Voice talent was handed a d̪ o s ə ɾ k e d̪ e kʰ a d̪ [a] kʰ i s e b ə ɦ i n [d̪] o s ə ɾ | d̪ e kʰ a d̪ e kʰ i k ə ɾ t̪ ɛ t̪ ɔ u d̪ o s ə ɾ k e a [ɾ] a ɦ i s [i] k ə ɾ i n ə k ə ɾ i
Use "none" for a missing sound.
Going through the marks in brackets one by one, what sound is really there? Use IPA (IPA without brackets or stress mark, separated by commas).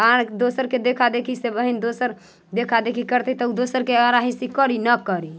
e, d̪, ɾ, i